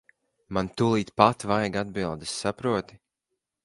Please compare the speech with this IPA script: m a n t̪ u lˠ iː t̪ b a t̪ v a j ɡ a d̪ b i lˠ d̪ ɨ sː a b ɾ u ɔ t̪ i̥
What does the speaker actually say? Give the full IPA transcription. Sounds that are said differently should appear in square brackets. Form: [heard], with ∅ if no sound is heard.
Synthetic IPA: m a n t̪ u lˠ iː t̪ [p] a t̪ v a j ɡ a d̪ b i lˠ d̪ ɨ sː a [p] ɾ u ɔ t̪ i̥